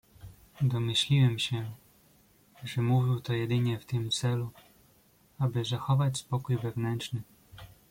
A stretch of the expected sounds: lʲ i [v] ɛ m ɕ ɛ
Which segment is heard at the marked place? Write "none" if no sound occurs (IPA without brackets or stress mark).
w